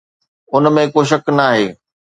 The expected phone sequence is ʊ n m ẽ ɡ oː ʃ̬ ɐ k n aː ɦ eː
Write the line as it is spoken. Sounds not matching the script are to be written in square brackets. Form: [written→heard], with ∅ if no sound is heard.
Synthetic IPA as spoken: ʊ n m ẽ [ɡ→k] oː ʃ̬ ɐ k n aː ɦ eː